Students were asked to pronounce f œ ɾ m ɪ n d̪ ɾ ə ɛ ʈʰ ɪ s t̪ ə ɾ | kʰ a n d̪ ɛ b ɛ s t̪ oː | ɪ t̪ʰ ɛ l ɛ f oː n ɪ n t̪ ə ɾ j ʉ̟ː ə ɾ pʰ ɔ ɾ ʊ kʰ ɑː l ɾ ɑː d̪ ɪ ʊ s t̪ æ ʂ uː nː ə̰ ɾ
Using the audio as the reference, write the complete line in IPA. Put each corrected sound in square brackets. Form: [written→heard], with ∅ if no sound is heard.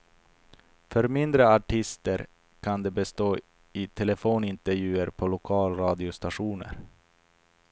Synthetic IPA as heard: f œ ɾ m ɪ n d̪ ɾ ə [ɛ→a] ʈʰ ɪ s t̪ ə ɾ | kʰ a n d̪ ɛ b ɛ s t̪ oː | ɪ t̪ʰ ɛ l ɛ f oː n ɪ n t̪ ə ɾ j ʉ̟ː ə ɾ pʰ ɔ [ɾ→l] ʊ kʰ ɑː l ɾ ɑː d̪ ɪ ʊ s t̪ [æ→a] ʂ uː [nː→n] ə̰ ɾ